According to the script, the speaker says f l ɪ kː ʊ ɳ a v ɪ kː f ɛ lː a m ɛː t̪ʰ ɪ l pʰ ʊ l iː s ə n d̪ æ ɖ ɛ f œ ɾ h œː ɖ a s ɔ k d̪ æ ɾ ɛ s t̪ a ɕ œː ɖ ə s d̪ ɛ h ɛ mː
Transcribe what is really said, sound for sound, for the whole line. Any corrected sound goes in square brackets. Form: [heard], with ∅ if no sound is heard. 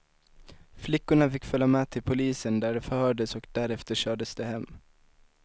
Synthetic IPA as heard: f l ɪ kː ʊ ɳ a [f] ɪ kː f [œ] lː a m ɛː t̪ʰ ɪ l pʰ ʊ l iː s ə n d̪ æ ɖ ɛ f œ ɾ h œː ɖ [ə] s ɔ k d̪ æ ɾ ɛ [f] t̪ [ə] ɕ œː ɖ ə s d̪ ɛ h ɛ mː

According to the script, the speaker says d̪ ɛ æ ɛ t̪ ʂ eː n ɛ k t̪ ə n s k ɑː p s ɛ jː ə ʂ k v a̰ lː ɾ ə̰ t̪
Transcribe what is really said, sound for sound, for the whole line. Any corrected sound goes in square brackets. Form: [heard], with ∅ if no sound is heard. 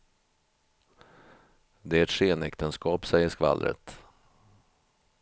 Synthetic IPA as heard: d̪ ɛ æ ɛ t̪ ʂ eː n ɛ k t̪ ə n s k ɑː p s ɛ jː ə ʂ k v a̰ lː ɾ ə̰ t̪

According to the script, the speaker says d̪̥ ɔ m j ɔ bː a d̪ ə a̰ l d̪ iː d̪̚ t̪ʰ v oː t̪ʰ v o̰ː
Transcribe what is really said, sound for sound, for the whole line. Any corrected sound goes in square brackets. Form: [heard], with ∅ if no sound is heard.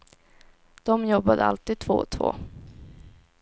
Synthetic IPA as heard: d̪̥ ɔ m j ɔ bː a d̪ ə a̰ l [t̪] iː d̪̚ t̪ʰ v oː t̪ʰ v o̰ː

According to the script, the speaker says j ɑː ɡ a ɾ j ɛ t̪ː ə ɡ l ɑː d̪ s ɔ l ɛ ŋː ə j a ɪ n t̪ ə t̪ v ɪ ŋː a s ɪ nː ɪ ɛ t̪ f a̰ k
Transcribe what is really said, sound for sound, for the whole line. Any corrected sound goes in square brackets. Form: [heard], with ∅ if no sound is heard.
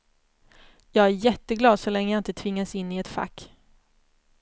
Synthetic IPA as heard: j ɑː ɡ [æ] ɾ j ɛ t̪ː ə ɡ l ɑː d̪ s ɔ l ɛ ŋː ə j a ɪ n t̪ ə [t̪ʰ] v ɪ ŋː a s ɪ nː ɪ ɛ t̪ f a̰ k

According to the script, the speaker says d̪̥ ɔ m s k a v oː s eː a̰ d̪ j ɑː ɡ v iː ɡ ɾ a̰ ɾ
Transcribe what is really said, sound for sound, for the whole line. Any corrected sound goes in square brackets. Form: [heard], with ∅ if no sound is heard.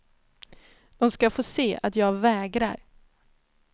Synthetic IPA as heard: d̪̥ ɔ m s k a [f] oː s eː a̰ [t̪] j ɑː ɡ v [ɛː] ɡ ɾ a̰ ɾ

